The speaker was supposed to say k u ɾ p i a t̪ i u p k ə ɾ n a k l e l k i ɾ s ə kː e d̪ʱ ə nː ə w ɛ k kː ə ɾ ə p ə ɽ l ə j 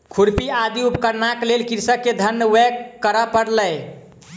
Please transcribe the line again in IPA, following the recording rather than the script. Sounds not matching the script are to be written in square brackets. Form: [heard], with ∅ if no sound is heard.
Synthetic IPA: [kʰ] u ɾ p i a [d̪] i u p k ə ɾ n a k l e l k i ɾ s ə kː e d̪ʱ ə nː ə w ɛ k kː ə ɾ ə p ə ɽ l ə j